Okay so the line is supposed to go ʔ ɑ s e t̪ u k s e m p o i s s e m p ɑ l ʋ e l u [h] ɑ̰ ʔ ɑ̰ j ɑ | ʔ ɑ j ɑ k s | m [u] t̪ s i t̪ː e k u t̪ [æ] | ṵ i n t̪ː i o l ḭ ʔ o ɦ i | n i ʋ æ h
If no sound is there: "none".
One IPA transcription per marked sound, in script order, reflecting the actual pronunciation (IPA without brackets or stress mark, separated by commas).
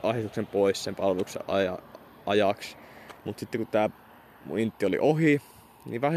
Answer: s, u, æː